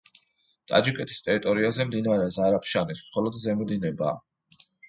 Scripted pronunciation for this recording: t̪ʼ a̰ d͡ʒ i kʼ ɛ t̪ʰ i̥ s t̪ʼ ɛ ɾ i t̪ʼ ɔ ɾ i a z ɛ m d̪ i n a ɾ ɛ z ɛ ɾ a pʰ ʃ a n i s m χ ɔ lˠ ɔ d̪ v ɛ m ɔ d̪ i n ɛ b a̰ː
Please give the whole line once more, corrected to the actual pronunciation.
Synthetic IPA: t̪ʼ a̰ d͡ʒ i kʼ ɛ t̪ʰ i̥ s t̪ʼ ɛ ɾ i t̪ʼ ɔ ɾ i a z ɛ m d̪ i n a ɾ ɛ z a ɾ a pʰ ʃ a n i s m χ ɔ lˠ ɔ d̪ z ɛ m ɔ d̪ i n ɛ b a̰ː